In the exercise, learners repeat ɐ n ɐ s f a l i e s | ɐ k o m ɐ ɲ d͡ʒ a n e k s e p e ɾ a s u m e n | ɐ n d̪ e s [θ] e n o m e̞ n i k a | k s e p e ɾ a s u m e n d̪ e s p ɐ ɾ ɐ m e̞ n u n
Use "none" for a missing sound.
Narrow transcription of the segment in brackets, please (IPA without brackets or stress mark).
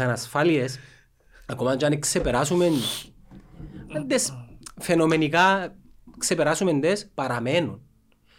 f